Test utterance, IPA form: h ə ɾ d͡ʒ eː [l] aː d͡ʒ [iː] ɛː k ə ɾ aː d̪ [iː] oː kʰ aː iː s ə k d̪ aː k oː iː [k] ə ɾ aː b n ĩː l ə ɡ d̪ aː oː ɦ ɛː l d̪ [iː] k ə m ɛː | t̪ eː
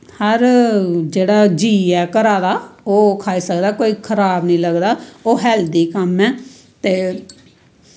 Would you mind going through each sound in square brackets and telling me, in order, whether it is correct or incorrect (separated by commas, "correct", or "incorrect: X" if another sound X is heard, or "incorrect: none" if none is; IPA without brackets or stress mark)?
incorrect: ɽ, correct, incorrect: aː, incorrect: kʰ, correct